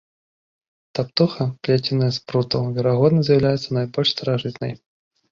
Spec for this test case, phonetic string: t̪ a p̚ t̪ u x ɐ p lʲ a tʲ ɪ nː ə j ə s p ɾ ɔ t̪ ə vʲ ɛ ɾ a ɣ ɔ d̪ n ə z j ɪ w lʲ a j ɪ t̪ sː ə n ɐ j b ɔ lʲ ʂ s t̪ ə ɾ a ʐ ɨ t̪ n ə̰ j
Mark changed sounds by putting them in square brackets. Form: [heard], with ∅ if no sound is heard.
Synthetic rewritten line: t̪ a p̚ t̪ u x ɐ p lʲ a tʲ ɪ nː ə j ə s p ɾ [u] t̪ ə vʲ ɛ ɾ a ɣ ɔ d̪ n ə z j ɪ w lʲ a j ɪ t̪ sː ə n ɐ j b ɔ lʲ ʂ s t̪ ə ɾ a ʐ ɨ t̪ n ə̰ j